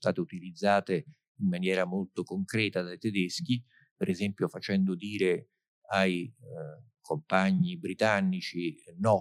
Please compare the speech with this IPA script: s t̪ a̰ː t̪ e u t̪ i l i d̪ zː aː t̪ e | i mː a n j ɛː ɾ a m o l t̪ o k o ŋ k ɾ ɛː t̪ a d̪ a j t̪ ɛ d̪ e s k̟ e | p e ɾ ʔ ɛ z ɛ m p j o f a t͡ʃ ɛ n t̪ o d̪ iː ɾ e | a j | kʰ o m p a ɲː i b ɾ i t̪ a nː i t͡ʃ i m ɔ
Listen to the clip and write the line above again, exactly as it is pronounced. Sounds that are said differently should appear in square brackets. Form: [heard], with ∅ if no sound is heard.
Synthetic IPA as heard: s t̪ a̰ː t̪ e u t̪ i l i d̪ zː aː t̪ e | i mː a n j ɛː ɾ a m o l t̪ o k o ŋ k ɾ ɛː t̪ a d̪ a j t̪ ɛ d̪ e s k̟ [i] | p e ɾ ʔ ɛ z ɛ m p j o f a t͡ʃ ɛ n [d̪] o d̪ iː ɾ e | a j | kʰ o m p a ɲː i b ɾ i t̪ a nː i t͡ʃ i [n] ɔ